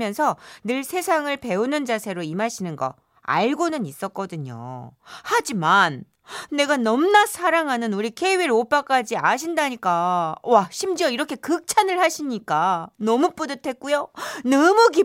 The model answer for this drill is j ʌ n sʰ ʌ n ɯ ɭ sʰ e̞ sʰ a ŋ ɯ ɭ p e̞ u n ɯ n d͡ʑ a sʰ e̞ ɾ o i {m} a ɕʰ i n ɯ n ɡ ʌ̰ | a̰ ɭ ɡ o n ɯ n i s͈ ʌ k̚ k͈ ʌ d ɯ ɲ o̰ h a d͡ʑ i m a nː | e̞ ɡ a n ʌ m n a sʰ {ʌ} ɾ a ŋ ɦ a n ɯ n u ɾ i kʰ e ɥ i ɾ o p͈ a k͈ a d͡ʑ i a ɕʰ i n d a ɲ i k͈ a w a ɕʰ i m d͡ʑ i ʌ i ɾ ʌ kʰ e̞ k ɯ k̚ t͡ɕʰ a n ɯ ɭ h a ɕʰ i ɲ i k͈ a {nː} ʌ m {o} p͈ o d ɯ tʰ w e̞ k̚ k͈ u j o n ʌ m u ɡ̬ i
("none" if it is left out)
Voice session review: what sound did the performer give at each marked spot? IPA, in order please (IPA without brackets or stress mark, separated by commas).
m, a, n, u